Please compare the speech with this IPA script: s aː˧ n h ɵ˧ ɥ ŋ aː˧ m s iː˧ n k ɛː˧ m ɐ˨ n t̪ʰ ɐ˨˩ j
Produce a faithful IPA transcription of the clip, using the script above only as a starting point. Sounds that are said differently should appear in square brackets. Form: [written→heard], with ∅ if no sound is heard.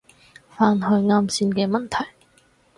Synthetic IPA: [s→f] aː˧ n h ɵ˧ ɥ ŋ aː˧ m s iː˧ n k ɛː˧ m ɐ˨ n t̪ʰ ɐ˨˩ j